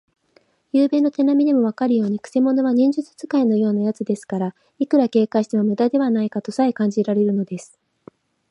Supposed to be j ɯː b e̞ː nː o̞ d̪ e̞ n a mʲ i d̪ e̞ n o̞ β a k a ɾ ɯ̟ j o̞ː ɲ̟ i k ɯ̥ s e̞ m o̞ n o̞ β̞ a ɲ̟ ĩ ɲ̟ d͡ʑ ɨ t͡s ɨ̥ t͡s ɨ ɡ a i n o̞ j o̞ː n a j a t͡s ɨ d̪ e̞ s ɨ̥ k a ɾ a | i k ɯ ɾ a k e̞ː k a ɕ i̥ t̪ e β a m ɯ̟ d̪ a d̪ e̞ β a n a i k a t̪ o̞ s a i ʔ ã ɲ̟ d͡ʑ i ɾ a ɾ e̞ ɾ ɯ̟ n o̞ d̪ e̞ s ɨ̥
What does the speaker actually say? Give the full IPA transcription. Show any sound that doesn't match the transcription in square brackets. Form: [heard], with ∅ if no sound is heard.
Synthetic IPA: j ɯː b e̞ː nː o̞ [t̪] e̞ n a mʲ i d̪ e̞ [m] o̞ β a k a ɾ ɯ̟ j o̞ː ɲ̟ i k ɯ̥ s e̞ m o̞ n o̞ β̞ a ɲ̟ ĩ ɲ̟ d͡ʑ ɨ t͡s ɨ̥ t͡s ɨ [k] a i n o̞ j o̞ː n a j a t͡s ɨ d̪ e̞ s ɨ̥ k a ɾ a | i k ɯ ɾ a k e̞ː k a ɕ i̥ t̪ e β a m ɯ̟ d̪ a d̪ e̞ β a n a i k a t̪ o̞ s a i [k] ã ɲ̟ d͡ʑ i ɾ a ɾ e̞ ɾ ɯ̟ n o̞ d̪ e̞ s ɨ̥